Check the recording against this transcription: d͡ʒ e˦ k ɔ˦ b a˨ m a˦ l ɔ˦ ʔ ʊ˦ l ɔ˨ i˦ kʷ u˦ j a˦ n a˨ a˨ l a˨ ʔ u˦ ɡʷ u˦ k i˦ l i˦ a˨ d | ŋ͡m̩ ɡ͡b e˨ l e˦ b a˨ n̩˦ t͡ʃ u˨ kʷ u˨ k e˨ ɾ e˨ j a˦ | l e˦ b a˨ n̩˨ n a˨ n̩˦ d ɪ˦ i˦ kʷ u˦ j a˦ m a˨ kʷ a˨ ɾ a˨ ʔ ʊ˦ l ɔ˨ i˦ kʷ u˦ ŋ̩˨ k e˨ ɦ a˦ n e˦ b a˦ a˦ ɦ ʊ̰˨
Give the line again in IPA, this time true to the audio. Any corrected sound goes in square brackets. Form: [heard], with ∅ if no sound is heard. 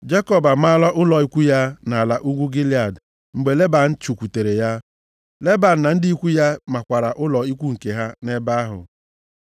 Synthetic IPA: d͡ʒ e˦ k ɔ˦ b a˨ m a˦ l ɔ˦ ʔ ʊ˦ l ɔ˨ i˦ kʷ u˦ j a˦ n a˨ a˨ l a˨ ʔ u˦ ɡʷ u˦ [ɡ] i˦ l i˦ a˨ d | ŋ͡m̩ ɡ͡b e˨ l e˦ b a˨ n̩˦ t͡ʃ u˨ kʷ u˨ [t] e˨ ɾ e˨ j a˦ | l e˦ b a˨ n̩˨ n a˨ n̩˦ d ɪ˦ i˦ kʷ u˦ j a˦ m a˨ kʷ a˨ ɾ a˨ ʔ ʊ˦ l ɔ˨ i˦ kʷ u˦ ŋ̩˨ k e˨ ɦ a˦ n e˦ b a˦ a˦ ɦ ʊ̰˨

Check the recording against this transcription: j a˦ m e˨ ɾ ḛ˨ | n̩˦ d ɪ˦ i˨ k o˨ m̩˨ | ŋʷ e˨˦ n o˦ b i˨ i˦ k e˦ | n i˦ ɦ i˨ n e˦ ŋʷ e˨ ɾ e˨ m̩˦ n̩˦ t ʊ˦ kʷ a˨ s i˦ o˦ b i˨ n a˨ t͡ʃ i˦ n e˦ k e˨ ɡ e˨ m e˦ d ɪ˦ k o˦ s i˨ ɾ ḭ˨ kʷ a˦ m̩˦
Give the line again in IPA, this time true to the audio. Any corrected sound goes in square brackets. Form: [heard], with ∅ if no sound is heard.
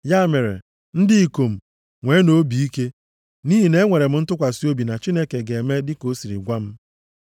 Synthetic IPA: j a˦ m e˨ ɾ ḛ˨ | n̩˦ d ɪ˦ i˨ k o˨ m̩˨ | ŋʷ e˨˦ n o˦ b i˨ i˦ k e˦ | n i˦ ɦ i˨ n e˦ ŋʷ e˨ ɾ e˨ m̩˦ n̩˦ t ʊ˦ kʷ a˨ s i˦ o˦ b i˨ n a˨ t͡ʃ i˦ n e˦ k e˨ ɡ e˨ m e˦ d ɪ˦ k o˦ s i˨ ɾ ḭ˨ [ɡʷ] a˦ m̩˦

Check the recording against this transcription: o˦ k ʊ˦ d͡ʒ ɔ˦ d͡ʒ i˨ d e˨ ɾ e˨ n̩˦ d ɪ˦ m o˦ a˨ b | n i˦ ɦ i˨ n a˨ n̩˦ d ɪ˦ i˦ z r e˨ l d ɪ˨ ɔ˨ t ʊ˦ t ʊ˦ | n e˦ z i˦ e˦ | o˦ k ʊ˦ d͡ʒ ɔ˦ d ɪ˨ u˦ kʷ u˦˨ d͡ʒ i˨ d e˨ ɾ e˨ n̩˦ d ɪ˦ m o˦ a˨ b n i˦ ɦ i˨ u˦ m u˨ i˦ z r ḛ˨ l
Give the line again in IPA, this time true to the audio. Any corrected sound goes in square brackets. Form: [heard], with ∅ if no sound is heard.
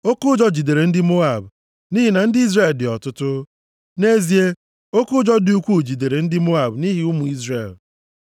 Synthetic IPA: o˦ k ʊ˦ d͡ʒ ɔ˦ d͡ʒ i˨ d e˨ ɾ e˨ n̩˦ d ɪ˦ m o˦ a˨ b | n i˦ ɦ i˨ n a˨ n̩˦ d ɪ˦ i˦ z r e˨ l d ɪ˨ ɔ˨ t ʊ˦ t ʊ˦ | n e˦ z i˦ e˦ | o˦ k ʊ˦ d͡ʒ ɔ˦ d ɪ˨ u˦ kʷ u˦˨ d͡ʒ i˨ d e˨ ɾ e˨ n̩˦ d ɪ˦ m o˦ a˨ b n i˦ ɦ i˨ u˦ m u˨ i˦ z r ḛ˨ l

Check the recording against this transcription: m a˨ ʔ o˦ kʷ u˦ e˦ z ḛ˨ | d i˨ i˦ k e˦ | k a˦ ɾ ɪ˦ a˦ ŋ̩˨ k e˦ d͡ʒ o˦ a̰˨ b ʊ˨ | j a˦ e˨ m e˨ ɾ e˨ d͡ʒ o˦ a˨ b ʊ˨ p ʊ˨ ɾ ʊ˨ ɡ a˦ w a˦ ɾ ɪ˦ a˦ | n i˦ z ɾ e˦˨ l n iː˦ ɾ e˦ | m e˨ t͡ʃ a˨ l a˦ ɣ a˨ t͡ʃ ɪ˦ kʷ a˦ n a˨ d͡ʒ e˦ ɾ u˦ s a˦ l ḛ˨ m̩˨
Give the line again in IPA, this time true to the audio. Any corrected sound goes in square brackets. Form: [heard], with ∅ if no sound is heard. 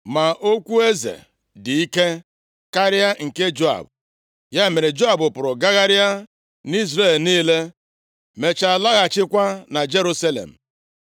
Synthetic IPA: m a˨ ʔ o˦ kʷ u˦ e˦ z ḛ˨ | d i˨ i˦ k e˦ | k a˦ ɾ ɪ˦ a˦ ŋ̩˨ k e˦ d͡ʒ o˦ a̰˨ b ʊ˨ | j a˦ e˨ m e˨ ɾ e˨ d͡ʒ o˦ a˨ b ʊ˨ p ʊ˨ ɾ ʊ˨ ɡ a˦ [ɣ] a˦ ɾ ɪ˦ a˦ | n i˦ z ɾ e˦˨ l n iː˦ [l] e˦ | m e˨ t͡ʃ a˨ l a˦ ɣ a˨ t͡ʃ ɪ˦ kʷ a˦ n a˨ d͡ʒ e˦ ɾ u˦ s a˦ l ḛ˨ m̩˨

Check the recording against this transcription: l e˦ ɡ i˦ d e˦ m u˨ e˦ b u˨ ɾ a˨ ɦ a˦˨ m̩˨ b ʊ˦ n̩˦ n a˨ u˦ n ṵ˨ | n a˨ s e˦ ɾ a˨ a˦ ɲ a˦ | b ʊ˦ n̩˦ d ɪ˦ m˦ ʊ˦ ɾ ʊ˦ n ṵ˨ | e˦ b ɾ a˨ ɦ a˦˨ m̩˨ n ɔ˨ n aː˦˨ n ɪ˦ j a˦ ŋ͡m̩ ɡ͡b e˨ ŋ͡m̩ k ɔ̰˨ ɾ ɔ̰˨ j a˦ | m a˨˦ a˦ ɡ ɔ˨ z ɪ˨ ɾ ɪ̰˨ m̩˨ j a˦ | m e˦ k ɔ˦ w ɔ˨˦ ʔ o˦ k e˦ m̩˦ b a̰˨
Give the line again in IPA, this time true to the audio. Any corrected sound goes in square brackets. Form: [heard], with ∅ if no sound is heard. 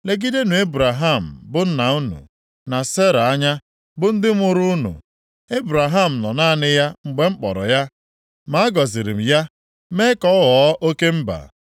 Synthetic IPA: l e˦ ɡ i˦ d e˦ [n] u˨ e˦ b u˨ ɾ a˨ ɦ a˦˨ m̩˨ b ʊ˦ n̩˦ n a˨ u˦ n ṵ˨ | n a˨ s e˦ ɾ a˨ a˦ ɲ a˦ | b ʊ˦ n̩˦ d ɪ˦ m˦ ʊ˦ ɾ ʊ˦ n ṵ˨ | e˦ b ɾ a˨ ɦ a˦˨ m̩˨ n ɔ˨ n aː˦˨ n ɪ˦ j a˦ ŋ͡m̩ ɡ͡b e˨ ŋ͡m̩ [k͡p] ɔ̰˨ ɾ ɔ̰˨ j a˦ | m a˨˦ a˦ ɡ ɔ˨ z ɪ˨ ɾ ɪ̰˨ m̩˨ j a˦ | m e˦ k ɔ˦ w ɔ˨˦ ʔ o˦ k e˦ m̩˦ b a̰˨

